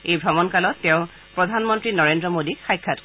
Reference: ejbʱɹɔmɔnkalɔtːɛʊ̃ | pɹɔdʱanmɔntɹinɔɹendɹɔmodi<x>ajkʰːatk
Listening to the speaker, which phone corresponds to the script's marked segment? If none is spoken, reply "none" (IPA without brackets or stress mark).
x